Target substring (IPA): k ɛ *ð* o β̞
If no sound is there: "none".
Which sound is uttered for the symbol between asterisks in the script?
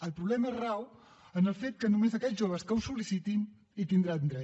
ʒ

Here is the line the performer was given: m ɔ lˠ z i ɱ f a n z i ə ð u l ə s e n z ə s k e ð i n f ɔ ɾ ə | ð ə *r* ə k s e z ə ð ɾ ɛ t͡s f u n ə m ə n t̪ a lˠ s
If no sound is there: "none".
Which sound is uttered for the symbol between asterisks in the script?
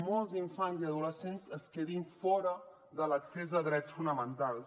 l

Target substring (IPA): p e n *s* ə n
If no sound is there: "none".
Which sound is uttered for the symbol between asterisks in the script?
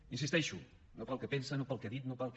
s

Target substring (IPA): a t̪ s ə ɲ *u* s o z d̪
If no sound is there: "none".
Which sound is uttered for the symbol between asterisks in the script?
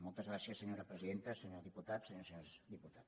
o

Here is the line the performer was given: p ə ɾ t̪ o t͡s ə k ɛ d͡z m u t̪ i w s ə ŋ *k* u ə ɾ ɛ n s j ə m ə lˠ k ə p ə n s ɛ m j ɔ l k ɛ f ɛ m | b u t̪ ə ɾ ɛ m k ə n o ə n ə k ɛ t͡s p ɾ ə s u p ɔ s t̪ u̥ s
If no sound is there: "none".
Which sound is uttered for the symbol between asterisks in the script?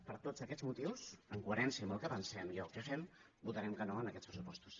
k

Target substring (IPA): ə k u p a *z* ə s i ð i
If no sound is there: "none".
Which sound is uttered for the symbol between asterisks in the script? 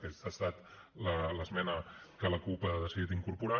ð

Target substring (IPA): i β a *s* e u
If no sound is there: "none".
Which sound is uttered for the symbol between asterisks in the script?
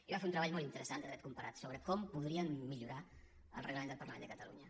f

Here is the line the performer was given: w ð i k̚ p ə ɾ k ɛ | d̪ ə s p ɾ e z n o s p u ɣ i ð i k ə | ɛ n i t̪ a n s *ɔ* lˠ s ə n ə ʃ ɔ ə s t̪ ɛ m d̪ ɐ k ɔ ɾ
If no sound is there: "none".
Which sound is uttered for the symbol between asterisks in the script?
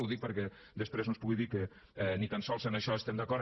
ɔ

